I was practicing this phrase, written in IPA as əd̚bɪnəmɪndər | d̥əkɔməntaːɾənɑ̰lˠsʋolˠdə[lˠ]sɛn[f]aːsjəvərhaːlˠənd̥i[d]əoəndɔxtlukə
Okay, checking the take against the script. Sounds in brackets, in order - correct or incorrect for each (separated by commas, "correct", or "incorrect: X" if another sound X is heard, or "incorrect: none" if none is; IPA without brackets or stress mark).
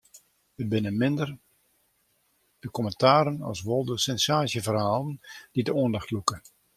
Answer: incorrect: none, incorrect: s, correct